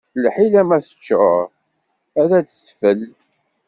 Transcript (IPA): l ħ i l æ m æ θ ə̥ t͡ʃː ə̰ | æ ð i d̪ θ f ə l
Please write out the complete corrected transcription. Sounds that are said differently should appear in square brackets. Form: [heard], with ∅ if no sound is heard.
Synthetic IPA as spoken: l ħ i l æ m æ θ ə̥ t͡ʃː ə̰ | æ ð [æ] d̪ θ f ə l

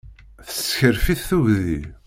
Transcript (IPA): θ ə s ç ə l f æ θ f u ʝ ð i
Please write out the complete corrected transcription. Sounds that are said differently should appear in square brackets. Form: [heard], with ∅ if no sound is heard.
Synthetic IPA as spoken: θ ə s ç ə [ɾ] f [i] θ [θ] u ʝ ð i

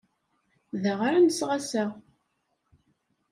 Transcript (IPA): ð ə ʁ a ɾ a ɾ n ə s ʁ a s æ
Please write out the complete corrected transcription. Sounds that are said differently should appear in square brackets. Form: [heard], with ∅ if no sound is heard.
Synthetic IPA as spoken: ð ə ʁ a ɾ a [∅] n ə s ʁ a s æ

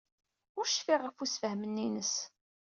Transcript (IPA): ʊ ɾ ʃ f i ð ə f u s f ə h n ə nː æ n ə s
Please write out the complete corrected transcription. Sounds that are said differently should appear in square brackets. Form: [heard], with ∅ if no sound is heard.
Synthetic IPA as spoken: ʊ ɾ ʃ f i [ʁ] ə f u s f ə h [m] ə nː [i] n ə s

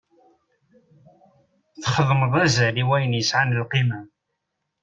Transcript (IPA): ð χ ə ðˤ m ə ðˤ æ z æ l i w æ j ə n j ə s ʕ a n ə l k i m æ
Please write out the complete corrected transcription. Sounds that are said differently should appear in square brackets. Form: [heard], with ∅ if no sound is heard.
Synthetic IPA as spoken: [θ] χ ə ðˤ m ə ðˤ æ z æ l i w æ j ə n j ə s ʕ a n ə l [q] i m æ

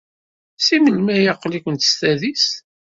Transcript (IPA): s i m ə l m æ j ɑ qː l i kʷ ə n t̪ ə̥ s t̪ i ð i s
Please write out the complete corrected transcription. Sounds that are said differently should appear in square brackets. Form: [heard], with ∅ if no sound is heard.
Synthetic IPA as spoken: s i m ə l m æ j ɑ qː l i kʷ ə n t̪ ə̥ s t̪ [æ] ð i s

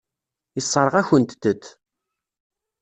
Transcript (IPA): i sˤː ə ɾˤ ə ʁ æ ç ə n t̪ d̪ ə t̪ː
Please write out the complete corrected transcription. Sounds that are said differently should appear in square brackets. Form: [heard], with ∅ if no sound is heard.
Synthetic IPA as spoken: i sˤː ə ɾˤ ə ʁ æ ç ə n t̪ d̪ ə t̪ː

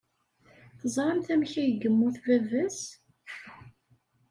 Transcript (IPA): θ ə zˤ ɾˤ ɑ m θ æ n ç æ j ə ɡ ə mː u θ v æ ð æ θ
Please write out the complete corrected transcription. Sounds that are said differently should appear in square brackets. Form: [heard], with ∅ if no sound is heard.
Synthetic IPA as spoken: θ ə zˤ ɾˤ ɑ m θ æ [m] ç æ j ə ɡ ə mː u θ v æ [v] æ [s]

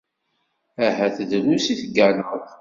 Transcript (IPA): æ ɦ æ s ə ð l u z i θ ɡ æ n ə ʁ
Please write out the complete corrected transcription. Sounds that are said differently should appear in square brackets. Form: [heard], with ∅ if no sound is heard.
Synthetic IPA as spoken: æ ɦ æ [θ] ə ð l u [s] i θ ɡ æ n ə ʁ

